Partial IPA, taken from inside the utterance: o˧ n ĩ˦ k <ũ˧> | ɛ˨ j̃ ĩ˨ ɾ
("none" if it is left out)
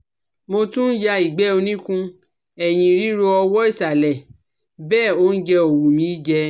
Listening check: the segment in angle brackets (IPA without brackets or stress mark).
ũ˧